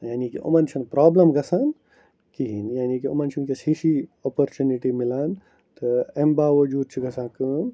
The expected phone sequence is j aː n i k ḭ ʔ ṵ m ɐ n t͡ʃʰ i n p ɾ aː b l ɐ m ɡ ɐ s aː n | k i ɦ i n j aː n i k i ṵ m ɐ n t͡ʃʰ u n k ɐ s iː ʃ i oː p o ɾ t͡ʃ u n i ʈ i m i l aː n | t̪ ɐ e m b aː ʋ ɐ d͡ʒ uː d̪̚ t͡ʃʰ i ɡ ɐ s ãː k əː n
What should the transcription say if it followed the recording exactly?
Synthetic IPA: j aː n i k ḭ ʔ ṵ m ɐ n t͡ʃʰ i n p ɾ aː b l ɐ m ɡ ɐ s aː n | k i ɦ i n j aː n i k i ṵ m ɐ n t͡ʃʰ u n k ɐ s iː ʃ i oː p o ɾ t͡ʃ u n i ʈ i m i l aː n | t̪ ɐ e m b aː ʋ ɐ d͡ʒ uː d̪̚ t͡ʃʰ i ɡ ɐ s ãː k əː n